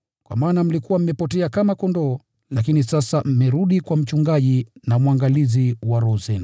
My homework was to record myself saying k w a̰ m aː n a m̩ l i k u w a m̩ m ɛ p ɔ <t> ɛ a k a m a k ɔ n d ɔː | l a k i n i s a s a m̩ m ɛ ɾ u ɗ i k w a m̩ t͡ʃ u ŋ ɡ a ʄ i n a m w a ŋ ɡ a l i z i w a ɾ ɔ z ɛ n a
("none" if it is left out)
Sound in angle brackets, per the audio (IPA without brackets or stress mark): t